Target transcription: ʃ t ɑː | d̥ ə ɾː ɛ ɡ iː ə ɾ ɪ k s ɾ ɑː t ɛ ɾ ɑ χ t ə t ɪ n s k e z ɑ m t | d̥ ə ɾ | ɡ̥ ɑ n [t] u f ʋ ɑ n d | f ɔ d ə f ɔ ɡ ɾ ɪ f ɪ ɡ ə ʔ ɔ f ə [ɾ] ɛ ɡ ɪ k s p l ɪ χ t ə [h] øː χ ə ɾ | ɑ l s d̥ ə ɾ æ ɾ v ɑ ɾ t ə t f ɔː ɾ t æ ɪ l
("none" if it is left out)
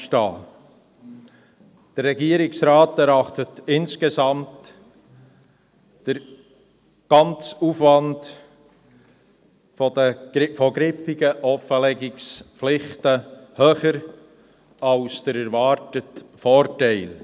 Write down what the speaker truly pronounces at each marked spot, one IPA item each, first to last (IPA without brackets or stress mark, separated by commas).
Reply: t͡s, l, h